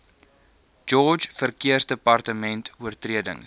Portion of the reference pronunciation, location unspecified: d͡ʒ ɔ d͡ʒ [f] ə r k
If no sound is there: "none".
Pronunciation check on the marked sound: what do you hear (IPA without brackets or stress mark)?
f